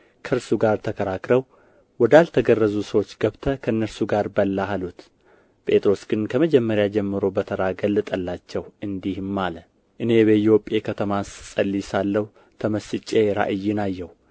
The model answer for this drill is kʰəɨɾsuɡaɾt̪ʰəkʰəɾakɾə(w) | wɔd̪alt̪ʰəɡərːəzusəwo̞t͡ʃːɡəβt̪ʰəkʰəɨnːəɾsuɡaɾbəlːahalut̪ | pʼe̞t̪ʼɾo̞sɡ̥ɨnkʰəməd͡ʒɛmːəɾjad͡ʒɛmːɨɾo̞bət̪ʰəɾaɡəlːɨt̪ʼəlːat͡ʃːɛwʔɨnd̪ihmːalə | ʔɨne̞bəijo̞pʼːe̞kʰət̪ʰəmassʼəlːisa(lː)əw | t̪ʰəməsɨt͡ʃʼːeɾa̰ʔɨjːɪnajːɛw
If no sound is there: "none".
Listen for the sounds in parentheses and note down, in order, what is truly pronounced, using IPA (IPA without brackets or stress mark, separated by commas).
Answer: w, lː